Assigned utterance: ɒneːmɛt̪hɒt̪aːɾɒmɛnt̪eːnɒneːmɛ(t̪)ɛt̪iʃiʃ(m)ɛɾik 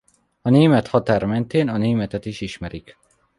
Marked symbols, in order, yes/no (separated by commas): yes, yes